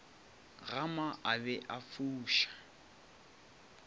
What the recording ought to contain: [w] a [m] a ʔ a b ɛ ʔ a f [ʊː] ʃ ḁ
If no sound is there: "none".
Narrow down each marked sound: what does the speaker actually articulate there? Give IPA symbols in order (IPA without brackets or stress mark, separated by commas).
ɣ, m, uː